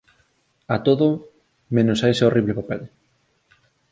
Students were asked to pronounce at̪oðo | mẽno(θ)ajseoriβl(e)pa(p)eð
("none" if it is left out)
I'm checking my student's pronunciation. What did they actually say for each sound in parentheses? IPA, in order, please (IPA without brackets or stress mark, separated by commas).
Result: s, e, p